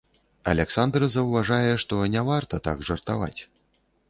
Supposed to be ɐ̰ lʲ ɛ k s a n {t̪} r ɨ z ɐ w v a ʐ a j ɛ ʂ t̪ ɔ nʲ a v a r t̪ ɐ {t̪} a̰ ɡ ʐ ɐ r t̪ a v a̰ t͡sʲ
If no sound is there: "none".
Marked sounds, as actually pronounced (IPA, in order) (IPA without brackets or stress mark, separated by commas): d̪, t̪